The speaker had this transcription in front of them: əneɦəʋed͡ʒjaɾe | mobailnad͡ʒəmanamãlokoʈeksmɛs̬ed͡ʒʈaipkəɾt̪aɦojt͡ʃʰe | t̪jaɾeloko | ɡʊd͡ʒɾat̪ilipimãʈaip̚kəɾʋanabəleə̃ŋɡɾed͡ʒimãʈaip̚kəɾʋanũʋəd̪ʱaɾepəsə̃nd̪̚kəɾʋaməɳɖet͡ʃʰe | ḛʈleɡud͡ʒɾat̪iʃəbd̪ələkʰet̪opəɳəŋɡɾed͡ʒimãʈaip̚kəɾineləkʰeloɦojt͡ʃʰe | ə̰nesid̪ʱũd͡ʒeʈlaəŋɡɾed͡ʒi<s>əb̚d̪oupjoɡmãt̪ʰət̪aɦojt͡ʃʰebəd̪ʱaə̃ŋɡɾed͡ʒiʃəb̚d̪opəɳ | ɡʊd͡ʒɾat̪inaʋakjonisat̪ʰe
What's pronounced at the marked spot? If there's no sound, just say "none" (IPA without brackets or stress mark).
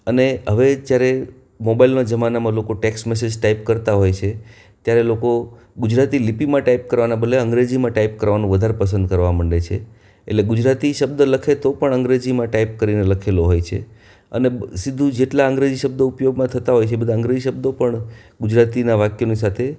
ʃ